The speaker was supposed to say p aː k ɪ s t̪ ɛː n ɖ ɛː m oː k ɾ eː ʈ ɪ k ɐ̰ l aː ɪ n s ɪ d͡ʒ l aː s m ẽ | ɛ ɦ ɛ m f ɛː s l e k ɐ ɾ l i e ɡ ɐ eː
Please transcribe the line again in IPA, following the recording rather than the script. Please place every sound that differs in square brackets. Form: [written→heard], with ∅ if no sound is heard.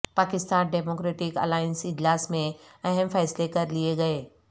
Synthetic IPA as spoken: p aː k ɪ s t̪ [ɛː→aː] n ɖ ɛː m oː k ɾ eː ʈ ɪ k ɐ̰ l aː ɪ n s ɪ d͡ʒ l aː s m ẽ | ɛ ɦ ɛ m f ɛː s l e k ɐ ɾ l i e ɡ ɐ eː